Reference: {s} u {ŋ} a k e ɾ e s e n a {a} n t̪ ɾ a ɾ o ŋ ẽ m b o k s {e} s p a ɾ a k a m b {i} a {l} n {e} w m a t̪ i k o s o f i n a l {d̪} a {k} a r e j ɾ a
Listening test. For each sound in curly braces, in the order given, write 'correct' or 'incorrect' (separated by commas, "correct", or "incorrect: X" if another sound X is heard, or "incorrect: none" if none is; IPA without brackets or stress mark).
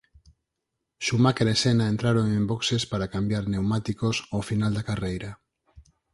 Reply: incorrect: ʃ, incorrect: m, incorrect: e, correct, incorrect: j, incorrect: ɾ, correct, correct, correct